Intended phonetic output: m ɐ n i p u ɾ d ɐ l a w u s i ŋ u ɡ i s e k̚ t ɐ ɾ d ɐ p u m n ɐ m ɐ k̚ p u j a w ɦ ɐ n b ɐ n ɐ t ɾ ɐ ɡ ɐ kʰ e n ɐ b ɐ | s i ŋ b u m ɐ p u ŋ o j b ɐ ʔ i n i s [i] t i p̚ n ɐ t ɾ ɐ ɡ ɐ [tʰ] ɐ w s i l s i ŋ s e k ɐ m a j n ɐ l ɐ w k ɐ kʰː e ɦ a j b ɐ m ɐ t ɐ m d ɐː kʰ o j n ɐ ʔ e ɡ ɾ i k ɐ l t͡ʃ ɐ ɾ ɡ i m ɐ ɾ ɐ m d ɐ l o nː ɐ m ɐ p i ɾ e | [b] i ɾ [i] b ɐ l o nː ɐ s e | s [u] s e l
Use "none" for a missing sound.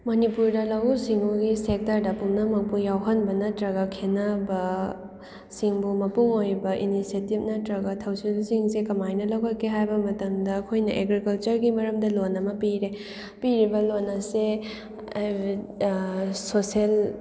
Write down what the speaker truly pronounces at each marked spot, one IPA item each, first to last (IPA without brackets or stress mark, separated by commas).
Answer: e, tʰ, p, i, o